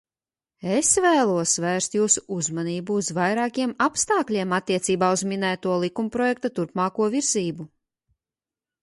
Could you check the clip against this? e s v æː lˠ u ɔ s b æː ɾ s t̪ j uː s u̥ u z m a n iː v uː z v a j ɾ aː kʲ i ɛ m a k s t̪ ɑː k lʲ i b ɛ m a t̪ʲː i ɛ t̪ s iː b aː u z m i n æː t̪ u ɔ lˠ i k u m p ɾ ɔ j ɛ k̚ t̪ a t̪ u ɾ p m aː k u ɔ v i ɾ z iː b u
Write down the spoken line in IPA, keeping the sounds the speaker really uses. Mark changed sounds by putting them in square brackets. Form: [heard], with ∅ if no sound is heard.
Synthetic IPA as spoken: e s v æː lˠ u ɔ s [v] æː ɾ s t̪ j uː s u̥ u z m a n iː [b] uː z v a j ɾ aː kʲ i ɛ m a [p] s t̪ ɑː k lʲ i [∅] ɛ m a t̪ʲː i ɛ t̪ s iː b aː u z m i n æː t̪ u ɔ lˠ i k u m p ɾ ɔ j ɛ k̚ t̪ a t̪ u ɾ p m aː k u ɔ v i ɾ z iː b u